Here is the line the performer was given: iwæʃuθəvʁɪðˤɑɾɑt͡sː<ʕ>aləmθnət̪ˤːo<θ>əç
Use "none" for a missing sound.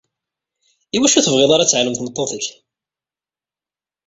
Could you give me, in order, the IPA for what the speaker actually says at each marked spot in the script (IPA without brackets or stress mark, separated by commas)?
ʕ, θ